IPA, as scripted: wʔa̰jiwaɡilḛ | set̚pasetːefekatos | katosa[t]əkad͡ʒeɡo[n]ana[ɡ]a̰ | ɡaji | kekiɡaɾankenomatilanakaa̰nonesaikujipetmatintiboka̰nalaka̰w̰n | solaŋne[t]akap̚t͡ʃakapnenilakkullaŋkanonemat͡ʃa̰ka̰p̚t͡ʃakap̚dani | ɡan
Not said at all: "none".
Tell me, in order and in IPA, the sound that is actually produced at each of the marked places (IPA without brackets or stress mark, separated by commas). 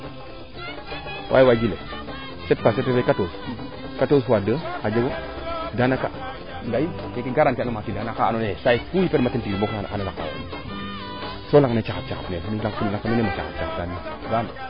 d, d, k, t͡ʃ